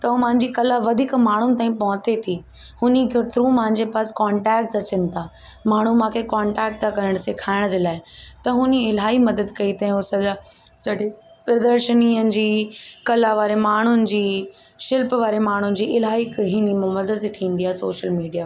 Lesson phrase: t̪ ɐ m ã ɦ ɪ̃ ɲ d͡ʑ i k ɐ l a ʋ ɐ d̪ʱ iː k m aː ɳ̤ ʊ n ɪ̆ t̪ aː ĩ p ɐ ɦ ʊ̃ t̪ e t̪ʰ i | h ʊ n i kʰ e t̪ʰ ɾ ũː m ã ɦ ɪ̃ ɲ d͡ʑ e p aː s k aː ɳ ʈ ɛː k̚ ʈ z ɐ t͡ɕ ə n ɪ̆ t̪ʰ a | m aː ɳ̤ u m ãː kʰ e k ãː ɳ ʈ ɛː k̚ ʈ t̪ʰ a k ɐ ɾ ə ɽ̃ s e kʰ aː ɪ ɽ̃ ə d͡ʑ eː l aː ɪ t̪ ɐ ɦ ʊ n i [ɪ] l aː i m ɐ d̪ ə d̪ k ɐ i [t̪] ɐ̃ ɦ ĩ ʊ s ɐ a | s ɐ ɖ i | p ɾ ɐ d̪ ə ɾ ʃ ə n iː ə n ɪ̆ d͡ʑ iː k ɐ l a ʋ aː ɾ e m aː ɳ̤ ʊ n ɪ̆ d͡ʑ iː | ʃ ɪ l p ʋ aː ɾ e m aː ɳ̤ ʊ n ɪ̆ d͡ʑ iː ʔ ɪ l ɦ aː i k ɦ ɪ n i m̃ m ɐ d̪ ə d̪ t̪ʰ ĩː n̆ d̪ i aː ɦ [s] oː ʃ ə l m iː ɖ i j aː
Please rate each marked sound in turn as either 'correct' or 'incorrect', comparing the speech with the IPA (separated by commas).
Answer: correct, correct, correct